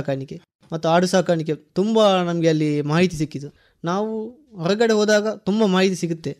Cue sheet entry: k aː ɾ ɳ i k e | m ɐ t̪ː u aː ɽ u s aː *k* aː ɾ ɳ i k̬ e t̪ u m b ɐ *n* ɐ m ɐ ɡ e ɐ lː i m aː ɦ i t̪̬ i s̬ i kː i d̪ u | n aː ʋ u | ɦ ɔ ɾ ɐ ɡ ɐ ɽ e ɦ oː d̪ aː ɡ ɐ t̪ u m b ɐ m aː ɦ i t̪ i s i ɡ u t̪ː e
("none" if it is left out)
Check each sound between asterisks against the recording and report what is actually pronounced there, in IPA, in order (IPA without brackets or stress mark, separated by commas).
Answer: k, n